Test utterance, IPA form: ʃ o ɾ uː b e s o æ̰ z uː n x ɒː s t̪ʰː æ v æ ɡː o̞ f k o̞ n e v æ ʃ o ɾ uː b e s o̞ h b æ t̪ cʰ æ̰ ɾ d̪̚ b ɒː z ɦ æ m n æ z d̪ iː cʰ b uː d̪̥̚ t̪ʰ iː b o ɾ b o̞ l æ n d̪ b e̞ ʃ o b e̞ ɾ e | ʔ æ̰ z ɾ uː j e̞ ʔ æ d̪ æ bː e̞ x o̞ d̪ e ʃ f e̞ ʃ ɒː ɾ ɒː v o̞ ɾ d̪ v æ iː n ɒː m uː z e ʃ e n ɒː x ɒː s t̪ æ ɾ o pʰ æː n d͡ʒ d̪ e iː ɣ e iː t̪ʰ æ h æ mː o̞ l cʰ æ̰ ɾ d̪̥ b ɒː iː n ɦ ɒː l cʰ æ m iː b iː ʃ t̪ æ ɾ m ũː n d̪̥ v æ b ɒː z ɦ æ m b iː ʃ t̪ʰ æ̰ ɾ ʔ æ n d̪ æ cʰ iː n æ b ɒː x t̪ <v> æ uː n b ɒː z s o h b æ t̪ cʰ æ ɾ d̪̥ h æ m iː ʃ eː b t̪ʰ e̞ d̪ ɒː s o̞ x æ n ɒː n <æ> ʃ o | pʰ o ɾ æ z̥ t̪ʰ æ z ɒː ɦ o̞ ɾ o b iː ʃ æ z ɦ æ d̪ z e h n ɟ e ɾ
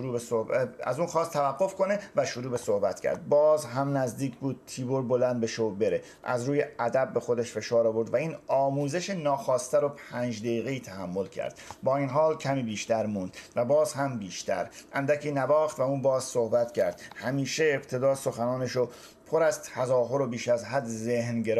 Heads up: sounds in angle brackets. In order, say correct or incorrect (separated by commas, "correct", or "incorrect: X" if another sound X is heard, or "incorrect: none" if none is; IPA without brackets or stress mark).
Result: correct, incorrect: e